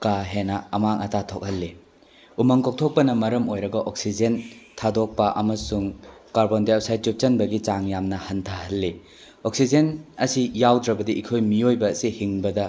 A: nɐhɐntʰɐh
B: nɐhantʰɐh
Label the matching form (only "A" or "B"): A